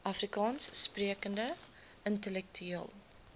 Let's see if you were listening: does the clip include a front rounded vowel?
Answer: yes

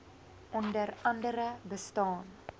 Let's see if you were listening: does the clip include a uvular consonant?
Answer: no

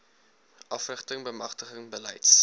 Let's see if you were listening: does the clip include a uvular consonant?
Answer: yes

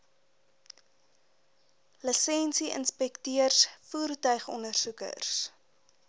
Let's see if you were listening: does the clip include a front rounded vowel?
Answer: yes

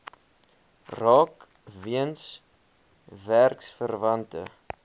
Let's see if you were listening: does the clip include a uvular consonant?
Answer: no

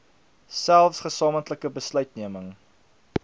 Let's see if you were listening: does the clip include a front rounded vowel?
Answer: yes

